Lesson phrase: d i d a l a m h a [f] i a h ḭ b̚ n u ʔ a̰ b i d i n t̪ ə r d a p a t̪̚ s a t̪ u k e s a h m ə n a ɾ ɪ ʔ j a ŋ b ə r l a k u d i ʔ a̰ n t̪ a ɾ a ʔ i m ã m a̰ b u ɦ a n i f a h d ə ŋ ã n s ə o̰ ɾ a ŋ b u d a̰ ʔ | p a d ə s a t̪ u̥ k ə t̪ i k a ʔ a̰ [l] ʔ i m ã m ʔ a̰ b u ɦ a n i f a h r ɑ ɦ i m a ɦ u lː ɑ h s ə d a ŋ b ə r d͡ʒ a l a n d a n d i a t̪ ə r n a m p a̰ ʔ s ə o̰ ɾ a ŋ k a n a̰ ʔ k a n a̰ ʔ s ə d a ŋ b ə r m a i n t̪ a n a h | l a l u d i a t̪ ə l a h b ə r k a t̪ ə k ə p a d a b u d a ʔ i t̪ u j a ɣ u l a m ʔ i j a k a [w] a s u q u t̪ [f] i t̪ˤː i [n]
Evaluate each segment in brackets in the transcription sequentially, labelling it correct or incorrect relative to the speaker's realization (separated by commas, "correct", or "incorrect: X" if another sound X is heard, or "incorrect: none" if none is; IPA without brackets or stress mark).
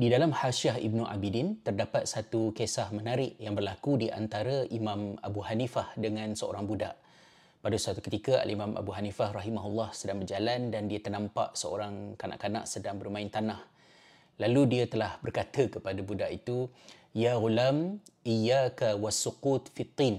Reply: incorrect: ʃ, correct, correct, correct, correct